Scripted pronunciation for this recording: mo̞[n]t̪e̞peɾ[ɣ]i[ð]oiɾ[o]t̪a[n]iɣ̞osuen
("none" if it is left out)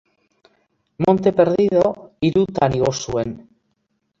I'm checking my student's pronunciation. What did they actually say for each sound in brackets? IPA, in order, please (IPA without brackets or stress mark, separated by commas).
n, ð, ð, u, n